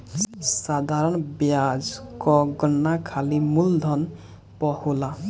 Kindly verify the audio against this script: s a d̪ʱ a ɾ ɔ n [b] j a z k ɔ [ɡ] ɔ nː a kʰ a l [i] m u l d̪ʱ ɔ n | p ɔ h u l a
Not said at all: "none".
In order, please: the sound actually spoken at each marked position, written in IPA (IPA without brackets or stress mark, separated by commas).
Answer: b, ɡ, i